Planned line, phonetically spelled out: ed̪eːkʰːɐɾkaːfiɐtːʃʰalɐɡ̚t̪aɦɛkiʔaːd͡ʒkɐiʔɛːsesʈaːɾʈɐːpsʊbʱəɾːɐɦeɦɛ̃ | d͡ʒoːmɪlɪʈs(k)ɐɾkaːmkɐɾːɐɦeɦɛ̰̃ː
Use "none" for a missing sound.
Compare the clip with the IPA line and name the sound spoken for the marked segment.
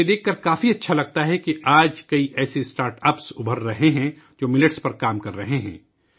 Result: p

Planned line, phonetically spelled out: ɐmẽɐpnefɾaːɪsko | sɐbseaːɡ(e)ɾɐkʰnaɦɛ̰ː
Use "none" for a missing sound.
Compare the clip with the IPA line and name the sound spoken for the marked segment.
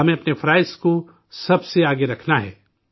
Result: e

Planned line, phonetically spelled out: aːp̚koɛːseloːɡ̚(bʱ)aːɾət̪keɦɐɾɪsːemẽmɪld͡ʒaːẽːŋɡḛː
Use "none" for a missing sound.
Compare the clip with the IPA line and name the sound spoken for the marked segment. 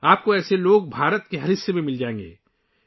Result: bʱ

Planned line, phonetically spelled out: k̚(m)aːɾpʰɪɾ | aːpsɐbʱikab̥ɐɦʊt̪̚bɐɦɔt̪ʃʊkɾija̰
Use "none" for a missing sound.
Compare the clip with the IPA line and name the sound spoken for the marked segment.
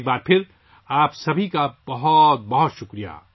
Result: b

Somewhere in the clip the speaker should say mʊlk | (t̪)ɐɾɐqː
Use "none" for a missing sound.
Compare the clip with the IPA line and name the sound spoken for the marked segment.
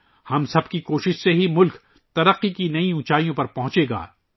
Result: t̪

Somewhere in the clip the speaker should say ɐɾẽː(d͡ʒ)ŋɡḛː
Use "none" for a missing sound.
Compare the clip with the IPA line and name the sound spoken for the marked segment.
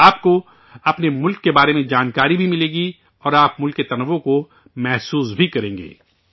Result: none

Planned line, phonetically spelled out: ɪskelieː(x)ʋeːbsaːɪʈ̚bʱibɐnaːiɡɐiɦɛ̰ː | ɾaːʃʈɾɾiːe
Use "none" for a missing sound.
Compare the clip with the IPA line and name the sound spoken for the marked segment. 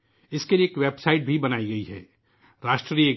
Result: k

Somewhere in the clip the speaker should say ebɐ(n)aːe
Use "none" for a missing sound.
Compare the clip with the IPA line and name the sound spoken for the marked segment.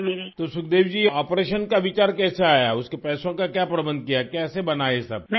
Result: n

